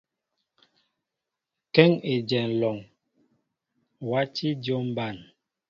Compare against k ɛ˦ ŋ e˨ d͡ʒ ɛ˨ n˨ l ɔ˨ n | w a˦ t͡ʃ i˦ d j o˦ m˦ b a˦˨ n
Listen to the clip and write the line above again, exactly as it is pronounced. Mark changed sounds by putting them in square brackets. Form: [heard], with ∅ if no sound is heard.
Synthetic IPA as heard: k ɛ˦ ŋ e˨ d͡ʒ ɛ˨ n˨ l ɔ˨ [ŋ] | w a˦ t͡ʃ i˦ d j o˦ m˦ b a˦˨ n